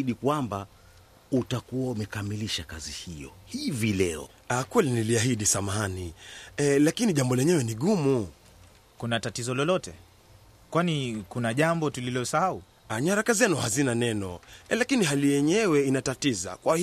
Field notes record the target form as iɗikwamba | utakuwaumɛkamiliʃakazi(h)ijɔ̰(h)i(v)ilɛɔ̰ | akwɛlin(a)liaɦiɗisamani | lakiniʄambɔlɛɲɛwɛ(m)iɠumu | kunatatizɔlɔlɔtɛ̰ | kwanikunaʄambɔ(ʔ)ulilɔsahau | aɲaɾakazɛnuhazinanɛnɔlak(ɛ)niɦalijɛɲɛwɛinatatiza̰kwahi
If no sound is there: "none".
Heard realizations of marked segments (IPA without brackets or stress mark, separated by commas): h, h, v, i, n, t, i